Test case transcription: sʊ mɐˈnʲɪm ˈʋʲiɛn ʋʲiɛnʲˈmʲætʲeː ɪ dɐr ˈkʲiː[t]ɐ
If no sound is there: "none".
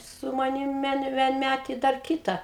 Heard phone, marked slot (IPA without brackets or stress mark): t